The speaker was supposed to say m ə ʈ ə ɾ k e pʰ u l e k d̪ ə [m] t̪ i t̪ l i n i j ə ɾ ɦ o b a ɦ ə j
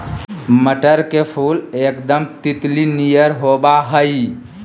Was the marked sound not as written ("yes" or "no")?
no